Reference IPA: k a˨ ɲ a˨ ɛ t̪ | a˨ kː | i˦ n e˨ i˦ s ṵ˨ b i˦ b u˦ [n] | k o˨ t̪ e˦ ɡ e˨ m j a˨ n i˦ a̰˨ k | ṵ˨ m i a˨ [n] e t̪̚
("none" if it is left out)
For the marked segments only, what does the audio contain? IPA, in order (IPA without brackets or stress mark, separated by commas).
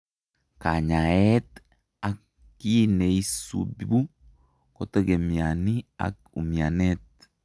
none, n